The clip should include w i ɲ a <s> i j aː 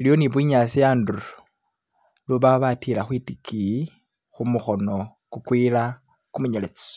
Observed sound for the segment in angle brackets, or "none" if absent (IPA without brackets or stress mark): s